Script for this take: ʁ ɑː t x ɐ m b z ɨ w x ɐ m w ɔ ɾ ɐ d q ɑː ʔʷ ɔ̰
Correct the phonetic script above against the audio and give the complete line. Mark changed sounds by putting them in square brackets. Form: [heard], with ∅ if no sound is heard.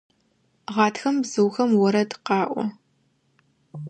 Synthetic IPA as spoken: ʁ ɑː t x ɐ m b z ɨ w x ɐ m w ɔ ɾ ɐ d q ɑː ʔʷ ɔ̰